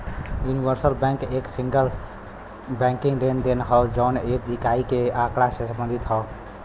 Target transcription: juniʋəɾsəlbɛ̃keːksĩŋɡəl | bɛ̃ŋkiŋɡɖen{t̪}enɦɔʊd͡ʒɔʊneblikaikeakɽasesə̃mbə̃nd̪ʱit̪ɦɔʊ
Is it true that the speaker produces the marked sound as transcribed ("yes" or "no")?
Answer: no